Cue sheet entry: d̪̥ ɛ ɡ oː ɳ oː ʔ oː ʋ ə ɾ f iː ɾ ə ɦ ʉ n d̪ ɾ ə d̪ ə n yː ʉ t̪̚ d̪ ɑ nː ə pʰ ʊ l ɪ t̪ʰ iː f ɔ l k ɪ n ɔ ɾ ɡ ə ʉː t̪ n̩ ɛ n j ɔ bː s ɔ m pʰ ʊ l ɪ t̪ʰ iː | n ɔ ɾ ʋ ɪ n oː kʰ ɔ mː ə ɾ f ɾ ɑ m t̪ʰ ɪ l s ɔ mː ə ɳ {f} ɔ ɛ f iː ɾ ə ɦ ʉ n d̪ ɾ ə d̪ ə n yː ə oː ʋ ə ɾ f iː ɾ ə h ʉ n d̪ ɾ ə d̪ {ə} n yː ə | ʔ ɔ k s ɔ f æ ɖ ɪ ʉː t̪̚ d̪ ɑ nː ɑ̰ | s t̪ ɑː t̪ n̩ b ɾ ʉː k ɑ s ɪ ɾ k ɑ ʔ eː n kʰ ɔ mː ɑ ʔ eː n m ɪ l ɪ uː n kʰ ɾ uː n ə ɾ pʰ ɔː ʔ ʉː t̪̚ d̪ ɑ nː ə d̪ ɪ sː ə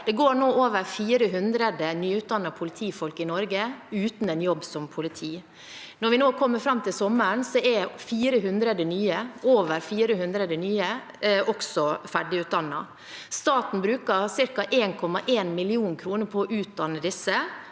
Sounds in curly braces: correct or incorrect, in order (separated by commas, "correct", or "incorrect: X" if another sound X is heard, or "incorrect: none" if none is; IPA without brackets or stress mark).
incorrect: s, correct